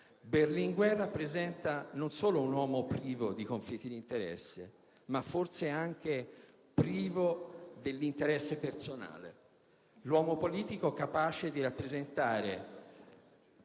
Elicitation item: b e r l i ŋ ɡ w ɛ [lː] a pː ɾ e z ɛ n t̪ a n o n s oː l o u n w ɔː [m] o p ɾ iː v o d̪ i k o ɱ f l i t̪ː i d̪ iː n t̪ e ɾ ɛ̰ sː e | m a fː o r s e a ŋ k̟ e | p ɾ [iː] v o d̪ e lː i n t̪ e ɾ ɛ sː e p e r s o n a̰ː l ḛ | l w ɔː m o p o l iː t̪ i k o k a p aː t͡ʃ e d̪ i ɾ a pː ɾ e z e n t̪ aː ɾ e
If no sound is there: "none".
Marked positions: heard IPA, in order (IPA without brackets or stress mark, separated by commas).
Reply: rː, m, iː